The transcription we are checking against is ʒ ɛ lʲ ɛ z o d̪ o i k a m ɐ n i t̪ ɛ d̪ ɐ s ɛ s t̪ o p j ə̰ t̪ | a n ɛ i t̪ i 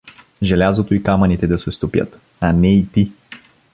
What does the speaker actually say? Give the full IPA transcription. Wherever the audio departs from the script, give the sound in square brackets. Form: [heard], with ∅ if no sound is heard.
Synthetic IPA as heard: ʒ ɛ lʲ [a] z o [t̪] o i k a m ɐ n i t̪ ɛ d̪ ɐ s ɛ s t̪ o p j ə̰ t̪ | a n ɛ i t̪ i